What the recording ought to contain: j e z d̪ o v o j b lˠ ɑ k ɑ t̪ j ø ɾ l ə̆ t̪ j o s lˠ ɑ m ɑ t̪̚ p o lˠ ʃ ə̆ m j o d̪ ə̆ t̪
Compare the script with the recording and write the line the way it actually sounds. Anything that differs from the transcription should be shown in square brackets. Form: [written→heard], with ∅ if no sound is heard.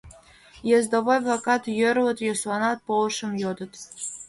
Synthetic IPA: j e z d̪ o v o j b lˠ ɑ k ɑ t̪ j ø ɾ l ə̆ t̪ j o s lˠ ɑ [m→n] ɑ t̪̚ p o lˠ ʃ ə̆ m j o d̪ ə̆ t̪